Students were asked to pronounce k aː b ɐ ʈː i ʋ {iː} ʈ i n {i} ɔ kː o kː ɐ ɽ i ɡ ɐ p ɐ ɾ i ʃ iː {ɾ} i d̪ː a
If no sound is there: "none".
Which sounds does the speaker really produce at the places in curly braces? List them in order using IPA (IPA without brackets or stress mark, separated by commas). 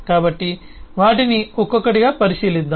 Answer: aː, i, l